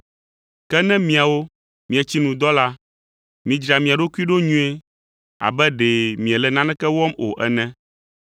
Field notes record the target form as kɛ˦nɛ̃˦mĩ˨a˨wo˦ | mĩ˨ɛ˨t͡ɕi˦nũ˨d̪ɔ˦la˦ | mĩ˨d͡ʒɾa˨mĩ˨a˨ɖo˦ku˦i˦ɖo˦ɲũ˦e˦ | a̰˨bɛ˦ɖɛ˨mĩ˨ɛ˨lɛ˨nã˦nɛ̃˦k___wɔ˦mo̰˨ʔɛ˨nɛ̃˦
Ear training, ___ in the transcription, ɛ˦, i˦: ɛ˦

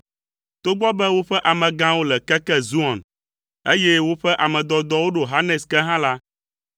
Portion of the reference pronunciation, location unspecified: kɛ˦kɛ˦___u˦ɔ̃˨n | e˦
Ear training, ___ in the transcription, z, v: z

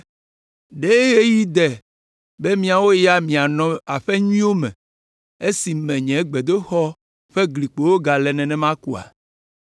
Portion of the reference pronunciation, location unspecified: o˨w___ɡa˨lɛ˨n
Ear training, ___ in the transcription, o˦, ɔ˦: o˦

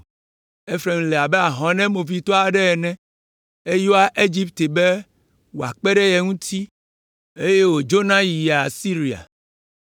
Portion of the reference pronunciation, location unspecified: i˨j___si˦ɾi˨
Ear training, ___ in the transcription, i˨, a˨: a˨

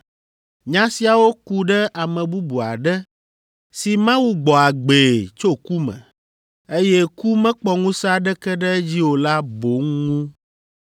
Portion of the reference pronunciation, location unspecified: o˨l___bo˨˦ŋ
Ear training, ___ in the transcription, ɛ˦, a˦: a˦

